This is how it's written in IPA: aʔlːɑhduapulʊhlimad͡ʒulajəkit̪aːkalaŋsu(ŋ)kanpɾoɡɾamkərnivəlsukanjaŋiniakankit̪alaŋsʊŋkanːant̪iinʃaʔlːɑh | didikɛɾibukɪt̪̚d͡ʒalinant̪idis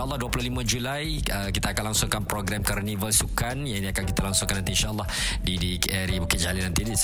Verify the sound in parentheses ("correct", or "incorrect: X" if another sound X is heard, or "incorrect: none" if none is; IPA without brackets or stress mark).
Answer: correct